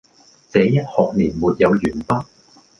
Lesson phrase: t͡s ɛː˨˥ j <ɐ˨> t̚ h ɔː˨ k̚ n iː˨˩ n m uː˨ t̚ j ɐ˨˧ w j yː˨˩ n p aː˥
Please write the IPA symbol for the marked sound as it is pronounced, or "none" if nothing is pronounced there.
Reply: ɐ˥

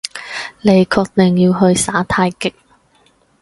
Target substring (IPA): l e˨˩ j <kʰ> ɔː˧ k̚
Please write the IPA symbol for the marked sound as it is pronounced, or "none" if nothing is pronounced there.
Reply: kʰ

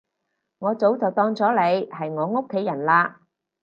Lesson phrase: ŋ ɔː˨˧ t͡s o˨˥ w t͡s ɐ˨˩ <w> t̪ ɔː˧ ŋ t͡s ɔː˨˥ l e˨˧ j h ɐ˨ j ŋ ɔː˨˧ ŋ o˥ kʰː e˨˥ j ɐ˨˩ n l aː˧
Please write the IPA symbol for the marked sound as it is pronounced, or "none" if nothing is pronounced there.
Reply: w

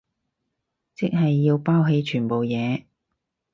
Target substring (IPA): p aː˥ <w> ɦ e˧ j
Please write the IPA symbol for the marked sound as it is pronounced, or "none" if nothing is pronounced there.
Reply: w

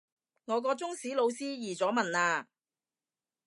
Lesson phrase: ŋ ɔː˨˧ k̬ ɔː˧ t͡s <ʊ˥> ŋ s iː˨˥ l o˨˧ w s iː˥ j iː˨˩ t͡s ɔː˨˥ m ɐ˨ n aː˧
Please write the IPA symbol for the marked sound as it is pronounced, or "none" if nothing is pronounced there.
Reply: ʊ˥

